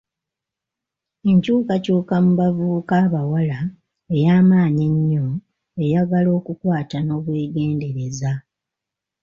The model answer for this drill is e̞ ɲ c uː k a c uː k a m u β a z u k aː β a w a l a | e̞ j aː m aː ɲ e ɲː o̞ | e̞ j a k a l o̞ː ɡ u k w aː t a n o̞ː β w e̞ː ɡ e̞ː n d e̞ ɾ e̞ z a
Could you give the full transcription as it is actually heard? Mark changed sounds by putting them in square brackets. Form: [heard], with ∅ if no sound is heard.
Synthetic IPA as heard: e̞ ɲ c uː k a c uː k a m u β a [v] u k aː β a w a l a | e̞ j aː m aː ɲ e ɲː o̞ | e̞ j a [ɡ] a l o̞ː [k] u k w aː t a n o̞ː β w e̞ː ɡ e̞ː n d e̞ ɾ e̞ z a